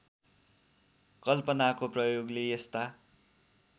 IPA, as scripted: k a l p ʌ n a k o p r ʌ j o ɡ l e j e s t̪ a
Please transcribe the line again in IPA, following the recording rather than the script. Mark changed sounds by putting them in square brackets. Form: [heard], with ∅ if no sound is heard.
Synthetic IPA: k [ʌ] l p ʌ n a k o p r ʌ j o ɡ l e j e s t̪ a